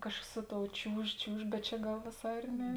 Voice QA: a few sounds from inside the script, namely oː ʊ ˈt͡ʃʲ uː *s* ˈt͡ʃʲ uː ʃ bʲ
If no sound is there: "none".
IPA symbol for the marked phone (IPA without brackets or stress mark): ʃ